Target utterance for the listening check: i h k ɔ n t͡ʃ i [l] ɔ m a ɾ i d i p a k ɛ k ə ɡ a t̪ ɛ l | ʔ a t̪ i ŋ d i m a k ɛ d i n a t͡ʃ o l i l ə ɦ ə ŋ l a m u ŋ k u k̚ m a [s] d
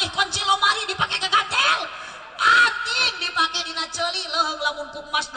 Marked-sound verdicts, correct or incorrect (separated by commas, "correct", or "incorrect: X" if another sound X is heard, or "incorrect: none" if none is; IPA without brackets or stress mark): correct, correct